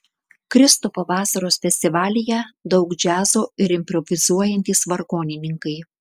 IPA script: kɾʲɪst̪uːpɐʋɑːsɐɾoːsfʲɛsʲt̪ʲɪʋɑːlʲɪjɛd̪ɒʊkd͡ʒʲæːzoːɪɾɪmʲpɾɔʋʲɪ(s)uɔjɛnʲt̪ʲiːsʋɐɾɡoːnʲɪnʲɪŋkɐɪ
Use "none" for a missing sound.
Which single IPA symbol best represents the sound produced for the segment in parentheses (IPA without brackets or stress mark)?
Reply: z